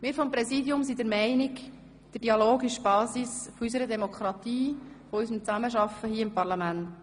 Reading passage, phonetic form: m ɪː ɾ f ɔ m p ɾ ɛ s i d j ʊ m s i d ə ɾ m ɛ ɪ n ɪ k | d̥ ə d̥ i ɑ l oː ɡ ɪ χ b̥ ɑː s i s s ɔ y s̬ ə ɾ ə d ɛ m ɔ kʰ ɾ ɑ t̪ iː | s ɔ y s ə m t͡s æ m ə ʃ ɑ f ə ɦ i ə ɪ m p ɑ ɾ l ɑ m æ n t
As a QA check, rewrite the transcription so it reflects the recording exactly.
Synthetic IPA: m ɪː ɾ f ɔ m p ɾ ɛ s i d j ʊ m s i d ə ɾ m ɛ ɪ n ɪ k | d̥ ə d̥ i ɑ l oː ɡ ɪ ʃ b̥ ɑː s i s f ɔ y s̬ ə ɾ ə d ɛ m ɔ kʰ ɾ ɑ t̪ iː | f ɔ y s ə m t͡s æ m ə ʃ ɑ f ə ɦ i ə ɪ m p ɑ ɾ l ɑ m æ n t